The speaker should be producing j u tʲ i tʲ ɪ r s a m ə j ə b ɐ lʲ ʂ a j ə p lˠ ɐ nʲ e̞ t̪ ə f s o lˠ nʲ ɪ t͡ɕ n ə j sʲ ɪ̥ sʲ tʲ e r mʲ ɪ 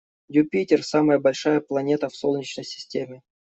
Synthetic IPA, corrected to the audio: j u pʲ i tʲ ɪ r s a m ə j ə b ɐ lʲ ʂ a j ə p lˠ ɐ nʲ e̞ t̪ ə f s o lˠ nʲ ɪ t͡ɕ n ə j sʲ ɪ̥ sʲ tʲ e mʲ ɪ